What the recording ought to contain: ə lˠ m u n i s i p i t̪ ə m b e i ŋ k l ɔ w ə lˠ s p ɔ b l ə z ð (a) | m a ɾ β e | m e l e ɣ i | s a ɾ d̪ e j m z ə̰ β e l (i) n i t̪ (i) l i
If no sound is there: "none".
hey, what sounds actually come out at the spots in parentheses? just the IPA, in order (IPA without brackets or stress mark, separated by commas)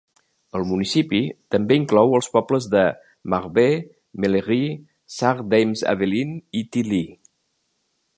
ə, i, i